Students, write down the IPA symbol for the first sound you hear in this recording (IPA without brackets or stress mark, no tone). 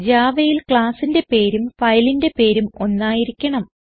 d͡ʑ